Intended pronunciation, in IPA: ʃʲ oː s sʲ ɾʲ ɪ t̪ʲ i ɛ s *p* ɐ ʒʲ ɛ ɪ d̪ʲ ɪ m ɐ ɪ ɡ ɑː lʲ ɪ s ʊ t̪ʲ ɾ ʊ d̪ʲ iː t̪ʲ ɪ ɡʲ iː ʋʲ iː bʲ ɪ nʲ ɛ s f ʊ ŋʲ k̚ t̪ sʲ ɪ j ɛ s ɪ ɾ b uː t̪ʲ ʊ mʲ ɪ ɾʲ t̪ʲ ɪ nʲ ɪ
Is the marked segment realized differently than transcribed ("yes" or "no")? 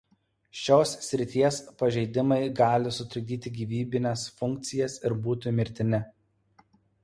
no